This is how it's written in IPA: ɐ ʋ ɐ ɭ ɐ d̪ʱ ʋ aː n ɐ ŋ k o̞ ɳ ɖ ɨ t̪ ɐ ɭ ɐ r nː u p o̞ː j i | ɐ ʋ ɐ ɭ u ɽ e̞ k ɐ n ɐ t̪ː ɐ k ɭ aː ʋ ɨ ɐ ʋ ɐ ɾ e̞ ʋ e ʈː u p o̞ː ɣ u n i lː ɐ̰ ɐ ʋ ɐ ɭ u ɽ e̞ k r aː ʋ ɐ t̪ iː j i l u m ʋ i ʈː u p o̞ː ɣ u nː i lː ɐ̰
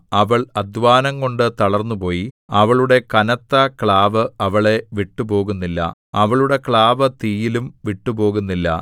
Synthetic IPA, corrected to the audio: ɐ ʋ ɐ ɭ ɐ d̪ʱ ʋ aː n ɐ ŋ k o̞ ɳ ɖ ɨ t̪ ɐ ɭ ɐ r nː u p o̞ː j i | ɐ ʋ ɐ ɭ u ɽ e̞ k ɐ n ɐ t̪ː ɐ k ɭ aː ʋ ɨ ɐ ʋ ɐ ɭ e̞ ʋ i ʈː u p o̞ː ɣ u nː i lː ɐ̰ ɐ ʋ ɐ ɭ u ɽ e̞ k ɭ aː ʋ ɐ t̪ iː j i l u m ʋ i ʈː u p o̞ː ɣ u nː i lː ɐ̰

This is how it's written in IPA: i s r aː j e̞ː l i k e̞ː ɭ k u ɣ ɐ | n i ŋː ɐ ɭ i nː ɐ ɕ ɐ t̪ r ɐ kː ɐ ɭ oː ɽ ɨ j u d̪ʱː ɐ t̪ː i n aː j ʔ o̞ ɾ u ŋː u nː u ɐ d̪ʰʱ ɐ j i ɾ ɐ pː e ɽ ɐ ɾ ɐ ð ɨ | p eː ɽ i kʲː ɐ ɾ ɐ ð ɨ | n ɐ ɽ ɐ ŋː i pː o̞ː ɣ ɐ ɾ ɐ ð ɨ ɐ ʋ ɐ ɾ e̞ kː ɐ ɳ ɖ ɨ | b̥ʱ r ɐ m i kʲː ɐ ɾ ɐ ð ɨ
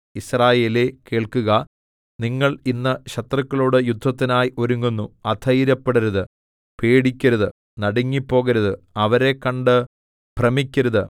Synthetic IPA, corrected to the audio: i s r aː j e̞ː l e k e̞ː ɭ k u ɣ ɐ | n i ŋː ɐ ɭ i nː ɐ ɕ ɐ t̪ r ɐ kː ɐ ɭ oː ɽ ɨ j u d̪ʱː ɐ t̪ː i n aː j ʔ o̞ ɾ u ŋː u nː u ɐ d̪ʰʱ ɐ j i ɾ ɐ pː e ɽ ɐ ɾ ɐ ð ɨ | p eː ɽ i kʲː ɐ ɾ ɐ ð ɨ | n ɐ ɽ ɐ ŋː i pː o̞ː ɣ ɐ ɾ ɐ ð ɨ ɐ ʋ ɐ ɾ e̞ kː ɐ ɳ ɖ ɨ | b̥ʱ r ɐ m i kʲː ɐ ɾ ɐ ð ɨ

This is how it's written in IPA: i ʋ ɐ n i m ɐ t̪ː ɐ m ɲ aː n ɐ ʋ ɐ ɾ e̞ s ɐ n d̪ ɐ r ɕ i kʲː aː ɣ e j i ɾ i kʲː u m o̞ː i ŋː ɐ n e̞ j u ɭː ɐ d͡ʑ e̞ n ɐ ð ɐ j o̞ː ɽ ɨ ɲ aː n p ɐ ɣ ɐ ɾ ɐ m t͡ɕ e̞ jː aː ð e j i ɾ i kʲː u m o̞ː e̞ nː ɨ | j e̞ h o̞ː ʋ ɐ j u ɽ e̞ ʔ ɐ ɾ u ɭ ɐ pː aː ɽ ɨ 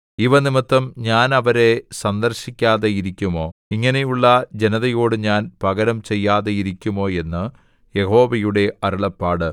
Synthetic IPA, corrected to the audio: i ʋ ɐ n i m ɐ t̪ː ɐ m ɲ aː n ɐ ʋ ɐ ɾ e̞ s ɐ n d̪ ɐ r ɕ i kʲː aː ð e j i ɾ i kʲː u m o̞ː i ŋː ɐ n e̞ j u ɭː ɐ d͡ʑ e̞ n ɐ ð ɐ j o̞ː ɽ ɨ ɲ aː n p ɐ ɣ ɐ ɾ ɐ m t͡ɕ e̞ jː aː ð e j i ɾ i kʲː u m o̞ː e̞ nː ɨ | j e̞ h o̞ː ʋ ɐ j u ɽ e̞ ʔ ɐ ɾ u ɭ ɐ pː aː ɽ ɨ

